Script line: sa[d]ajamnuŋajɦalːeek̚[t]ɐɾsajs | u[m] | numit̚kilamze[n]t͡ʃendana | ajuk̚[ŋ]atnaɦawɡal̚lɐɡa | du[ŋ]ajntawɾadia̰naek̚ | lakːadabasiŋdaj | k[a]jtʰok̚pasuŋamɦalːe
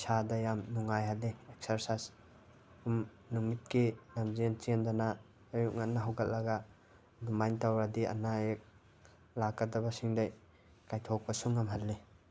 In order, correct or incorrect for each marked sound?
correct, incorrect: s, correct, correct, correct, incorrect: m, correct

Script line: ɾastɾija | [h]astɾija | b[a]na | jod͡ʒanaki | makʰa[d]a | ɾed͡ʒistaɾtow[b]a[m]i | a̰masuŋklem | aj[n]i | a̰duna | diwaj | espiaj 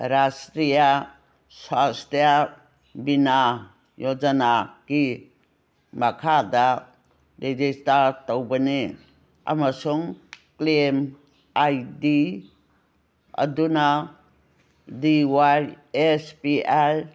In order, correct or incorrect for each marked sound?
incorrect: s, incorrect: i, correct, correct, incorrect: n, incorrect: d

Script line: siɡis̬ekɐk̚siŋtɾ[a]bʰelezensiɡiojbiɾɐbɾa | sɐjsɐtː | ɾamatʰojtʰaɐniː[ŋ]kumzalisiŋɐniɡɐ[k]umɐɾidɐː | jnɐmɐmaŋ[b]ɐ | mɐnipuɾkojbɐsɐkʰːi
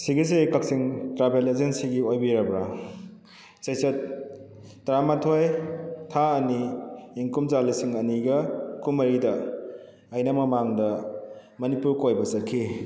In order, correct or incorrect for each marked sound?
correct, correct, correct, incorrect: d

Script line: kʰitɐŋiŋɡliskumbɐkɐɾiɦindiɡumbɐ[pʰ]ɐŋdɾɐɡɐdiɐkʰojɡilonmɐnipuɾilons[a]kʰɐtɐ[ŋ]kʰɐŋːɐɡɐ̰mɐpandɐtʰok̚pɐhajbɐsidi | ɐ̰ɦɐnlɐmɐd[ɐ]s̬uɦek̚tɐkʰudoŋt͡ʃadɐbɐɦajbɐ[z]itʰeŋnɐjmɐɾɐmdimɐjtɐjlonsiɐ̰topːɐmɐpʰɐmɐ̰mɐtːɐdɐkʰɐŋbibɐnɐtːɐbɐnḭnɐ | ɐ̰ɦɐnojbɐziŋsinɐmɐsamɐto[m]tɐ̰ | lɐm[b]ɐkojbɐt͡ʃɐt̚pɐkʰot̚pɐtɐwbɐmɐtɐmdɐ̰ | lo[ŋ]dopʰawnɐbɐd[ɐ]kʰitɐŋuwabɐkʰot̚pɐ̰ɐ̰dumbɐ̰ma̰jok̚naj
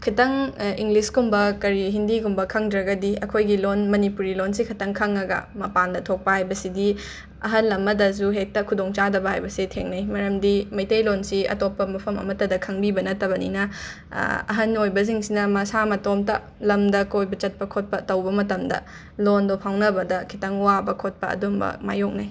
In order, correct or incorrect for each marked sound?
incorrect: kʰ, incorrect: i, correct, correct, incorrect: s, correct, incorrect: d, incorrect: n, correct

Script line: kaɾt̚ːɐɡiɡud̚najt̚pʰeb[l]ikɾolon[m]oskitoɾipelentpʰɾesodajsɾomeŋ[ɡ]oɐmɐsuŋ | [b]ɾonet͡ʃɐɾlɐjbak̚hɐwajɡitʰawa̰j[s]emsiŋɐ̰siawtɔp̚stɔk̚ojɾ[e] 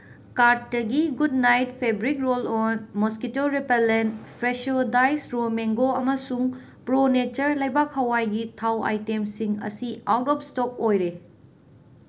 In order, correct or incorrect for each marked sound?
incorrect: ɾ, correct, correct, incorrect: p, incorrect: t, correct

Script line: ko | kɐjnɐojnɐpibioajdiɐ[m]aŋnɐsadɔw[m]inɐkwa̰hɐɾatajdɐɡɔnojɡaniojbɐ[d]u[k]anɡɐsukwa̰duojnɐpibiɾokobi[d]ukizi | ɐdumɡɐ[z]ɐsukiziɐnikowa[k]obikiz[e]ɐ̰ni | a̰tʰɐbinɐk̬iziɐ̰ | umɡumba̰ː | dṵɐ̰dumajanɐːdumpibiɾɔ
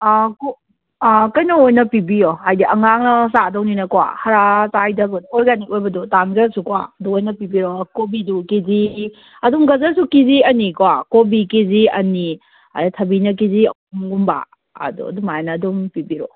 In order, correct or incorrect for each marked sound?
incorrect: ŋ, incorrect: n, correct, incorrect: t, correct, correct, correct, incorrect: i

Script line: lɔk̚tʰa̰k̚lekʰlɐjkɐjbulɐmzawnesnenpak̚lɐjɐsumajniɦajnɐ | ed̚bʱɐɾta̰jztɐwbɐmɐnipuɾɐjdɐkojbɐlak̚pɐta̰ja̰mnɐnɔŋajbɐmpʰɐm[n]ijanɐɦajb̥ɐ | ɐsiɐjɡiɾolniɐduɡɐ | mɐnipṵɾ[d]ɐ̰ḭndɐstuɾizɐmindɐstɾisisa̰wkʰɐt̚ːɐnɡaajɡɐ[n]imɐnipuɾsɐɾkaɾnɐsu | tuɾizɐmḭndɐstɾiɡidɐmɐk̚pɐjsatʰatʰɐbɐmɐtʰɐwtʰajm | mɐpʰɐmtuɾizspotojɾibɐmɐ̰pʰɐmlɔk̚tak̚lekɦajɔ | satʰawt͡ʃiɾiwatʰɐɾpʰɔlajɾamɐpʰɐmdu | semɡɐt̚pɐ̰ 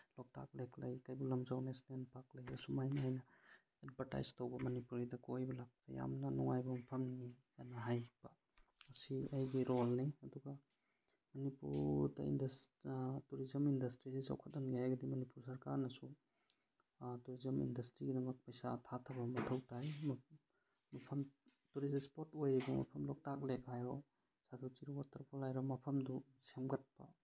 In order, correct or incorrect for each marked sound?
correct, correct, incorrect: d

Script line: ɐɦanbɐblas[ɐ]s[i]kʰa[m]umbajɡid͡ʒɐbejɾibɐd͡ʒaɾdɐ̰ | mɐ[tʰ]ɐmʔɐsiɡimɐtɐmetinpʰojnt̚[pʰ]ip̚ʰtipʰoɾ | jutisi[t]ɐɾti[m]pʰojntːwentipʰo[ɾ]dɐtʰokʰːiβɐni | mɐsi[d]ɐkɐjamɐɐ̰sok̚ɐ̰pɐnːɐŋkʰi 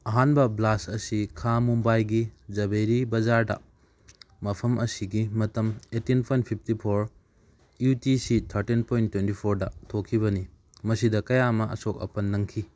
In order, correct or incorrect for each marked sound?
correct, correct, correct, incorrect: pʰ, correct, incorrect: tʰ, incorrect: n, correct, correct

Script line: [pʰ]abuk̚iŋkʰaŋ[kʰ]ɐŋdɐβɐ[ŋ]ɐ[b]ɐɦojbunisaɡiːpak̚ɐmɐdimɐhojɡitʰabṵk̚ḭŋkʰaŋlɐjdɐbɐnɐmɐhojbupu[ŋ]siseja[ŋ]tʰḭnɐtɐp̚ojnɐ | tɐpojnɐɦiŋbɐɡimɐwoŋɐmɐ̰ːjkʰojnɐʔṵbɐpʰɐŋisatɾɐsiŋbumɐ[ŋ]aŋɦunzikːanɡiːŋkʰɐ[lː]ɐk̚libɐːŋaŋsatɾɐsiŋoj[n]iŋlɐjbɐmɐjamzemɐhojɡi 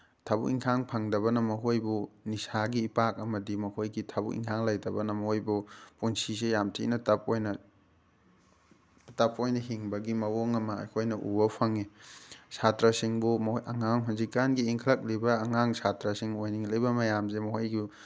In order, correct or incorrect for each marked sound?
incorrect: tʰ, incorrect: pʰ, incorrect: n, incorrect: m, incorrect: n, incorrect: m, correct, incorrect: l, correct

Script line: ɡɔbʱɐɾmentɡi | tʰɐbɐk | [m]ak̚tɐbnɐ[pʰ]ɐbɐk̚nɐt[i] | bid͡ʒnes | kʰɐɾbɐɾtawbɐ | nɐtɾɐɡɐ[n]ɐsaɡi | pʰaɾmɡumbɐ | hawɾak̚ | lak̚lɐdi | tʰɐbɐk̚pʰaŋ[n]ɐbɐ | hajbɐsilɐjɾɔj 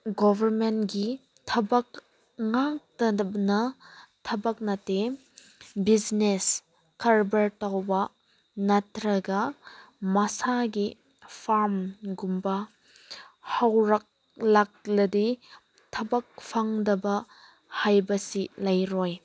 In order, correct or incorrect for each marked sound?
incorrect: ŋ, incorrect: tʰ, incorrect: e, incorrect: m, incorrect: d

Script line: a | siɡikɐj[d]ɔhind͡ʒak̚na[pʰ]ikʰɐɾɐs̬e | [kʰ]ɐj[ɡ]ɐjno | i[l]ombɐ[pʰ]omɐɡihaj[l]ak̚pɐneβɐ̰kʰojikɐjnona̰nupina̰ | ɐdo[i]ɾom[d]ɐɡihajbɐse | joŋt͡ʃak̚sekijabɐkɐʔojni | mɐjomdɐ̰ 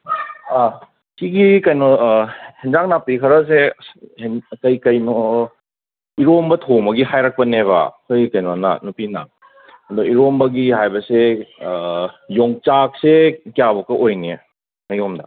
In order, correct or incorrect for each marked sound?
incorrect: n, incorrect: p, incorrect: k, incorrect: k, incorrect: ɾ, incorrect: tʰ, incorrect: ɾ, correct, incorrect: b

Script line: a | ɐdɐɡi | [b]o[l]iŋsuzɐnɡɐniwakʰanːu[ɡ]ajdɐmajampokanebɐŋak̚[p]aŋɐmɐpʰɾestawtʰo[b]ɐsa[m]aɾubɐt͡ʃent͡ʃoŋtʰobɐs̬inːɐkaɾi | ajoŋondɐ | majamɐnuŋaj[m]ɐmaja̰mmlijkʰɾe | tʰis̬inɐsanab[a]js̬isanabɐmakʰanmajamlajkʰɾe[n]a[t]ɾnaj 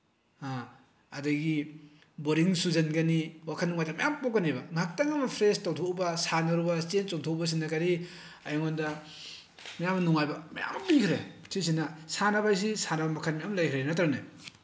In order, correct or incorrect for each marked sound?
correct, incorrect: ɾ, incorrect: ŋ, incorrect: t, correct, incorrect: n, incorrect: b, correct, correct, correct

